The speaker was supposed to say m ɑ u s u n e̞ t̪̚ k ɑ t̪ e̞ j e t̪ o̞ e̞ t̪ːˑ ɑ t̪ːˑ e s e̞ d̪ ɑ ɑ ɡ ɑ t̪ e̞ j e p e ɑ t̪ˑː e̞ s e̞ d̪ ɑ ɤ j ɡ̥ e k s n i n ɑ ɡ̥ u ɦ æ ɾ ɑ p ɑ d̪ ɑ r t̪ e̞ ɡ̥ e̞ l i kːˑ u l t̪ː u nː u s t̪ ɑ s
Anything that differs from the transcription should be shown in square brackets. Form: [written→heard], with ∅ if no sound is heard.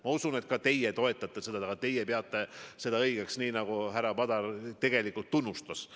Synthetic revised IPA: m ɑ u s u n e̞ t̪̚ k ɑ t̪ e̞ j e t̪ o̞ e̞ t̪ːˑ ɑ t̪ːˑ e s e̞ d̪ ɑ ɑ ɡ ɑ t̪ e̞ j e p e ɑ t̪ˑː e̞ s e̞ d̪ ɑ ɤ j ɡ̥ e k s n [i→iː] n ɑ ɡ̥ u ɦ æ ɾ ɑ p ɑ d̪ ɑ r t̪ e̞ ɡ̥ e̞ l i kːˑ u l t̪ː u nː u s t̪ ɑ s